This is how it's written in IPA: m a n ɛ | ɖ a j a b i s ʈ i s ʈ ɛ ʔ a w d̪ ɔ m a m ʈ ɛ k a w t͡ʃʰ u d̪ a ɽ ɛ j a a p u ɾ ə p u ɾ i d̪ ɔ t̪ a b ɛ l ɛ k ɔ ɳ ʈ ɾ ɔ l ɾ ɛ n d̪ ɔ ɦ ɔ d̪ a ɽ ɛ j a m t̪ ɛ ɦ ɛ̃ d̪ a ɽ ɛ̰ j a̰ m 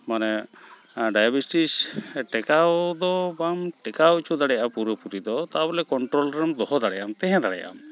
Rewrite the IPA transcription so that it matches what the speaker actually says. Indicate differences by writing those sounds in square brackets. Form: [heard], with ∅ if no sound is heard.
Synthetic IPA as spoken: m a n ɛ | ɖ a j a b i s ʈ i s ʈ ɛ [k] a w d̪ ɔ [b] a m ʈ ɛ k a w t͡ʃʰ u d̪ a ɽ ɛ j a a p u ɾ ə p u ɾ i d̪ ɔ t̪ a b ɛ l ɛ k ɔ ɳ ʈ ɾ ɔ l ɾ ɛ [m] d̪ ɔ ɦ ɔ d̪ a ɽ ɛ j a m t̪ ɛ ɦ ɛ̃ d̪ a ɽ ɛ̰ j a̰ m